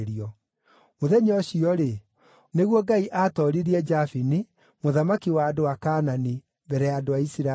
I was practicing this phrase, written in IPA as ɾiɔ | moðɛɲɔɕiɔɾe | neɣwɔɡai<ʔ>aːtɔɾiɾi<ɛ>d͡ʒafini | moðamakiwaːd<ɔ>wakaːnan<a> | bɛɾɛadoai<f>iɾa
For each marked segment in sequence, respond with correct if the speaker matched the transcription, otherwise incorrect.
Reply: correct, correct, incorrect: o, incorrect: i, incorrect: s

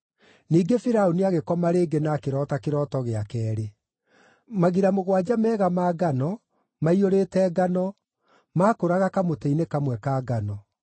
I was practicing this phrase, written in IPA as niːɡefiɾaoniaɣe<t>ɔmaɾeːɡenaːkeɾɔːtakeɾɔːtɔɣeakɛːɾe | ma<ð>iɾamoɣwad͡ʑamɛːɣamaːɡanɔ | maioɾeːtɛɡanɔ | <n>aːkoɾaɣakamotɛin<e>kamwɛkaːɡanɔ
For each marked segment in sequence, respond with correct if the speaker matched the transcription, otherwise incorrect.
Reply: incorrect: k, incorrect: ɣ, incorrect: m, correct

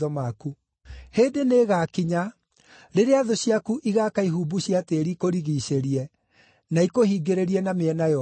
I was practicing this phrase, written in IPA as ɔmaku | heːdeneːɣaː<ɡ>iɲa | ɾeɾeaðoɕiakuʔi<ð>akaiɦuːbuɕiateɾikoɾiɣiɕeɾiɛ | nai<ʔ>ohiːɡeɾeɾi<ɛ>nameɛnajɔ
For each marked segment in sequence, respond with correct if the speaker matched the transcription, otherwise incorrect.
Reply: incorrect: k, incorrect: ɣ, incorrect: k, correct

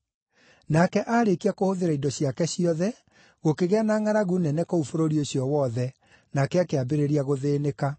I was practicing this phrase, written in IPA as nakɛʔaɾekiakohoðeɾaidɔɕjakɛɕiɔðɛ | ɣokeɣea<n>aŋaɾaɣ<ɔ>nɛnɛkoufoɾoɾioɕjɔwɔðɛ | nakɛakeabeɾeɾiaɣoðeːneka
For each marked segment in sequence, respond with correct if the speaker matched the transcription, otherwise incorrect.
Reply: correct, incorrect: u

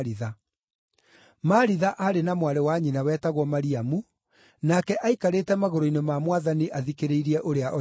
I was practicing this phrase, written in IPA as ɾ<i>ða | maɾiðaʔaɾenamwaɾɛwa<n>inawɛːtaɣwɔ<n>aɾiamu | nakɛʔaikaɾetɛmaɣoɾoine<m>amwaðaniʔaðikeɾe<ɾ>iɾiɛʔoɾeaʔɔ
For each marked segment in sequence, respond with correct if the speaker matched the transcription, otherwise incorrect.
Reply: correct, incorrect: ɲ, incorrect: m, correct, incorrect: none

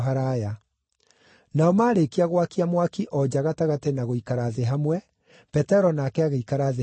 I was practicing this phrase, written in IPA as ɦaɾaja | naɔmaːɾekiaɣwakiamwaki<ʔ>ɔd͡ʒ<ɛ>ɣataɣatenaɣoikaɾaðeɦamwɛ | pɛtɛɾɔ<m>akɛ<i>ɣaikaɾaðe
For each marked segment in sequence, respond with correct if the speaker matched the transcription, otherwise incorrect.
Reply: correct, incorrect: a, incorrect: n, incorrect: a

